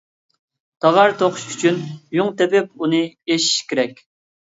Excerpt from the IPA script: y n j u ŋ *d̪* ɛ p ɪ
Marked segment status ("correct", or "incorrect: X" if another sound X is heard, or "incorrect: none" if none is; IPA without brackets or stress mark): incorrect: t̪